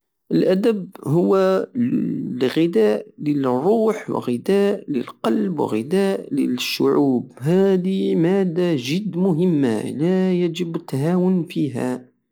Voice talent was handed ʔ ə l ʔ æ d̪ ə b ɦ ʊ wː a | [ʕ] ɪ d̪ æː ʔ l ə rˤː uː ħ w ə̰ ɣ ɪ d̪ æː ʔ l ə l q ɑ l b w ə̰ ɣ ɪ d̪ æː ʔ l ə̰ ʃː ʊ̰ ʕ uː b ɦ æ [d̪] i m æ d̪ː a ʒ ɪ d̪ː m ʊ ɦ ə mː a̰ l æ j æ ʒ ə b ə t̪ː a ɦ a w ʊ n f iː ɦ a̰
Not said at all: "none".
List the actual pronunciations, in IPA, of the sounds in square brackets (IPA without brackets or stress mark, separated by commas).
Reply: ɣ, d̪